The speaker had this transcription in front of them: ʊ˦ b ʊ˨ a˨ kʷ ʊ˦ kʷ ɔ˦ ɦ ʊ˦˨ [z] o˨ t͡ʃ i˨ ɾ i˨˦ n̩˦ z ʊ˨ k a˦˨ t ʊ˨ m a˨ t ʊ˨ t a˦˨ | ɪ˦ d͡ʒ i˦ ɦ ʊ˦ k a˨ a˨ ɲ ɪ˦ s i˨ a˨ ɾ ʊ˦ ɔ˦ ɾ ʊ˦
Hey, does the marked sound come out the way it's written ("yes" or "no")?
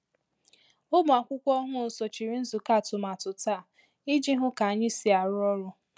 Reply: no